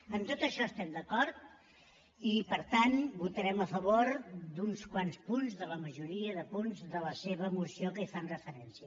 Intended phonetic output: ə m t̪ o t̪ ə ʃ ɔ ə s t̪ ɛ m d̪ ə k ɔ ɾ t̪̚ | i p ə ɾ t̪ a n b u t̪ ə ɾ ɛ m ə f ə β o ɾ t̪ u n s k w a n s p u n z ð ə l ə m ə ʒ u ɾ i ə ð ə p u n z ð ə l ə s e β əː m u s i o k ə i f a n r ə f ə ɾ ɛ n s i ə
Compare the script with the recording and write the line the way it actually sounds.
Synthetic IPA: ə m t̪ o t̪ ə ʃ ɔ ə s t̪ ɛ m d̪ ə k ɔ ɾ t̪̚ | i p ə ɾ t̪ a n b u t̪ ə ɾ ɛ m ə f ə β o ɾ d̪ u n s k w a n s p u n z ð ə l ə m ə ʒ u ɾ i ə ð ə p u n z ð ə l ə s e β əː m u s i o k ə i f a n r ə f ə ɾ ɛ n s i ə